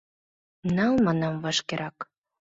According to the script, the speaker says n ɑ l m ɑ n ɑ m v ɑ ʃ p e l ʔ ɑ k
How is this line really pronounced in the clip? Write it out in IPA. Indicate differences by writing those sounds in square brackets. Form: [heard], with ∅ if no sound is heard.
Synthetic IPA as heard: n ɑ l m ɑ n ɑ m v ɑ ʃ [k] e [ɾ] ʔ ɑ k